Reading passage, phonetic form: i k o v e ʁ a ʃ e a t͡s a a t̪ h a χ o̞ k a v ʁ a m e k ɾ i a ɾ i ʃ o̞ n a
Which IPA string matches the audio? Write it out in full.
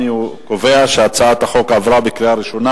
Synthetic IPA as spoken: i k o v e a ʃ e a t͡s a a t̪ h a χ o̞ k a v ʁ a b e k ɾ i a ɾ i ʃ o̞ n a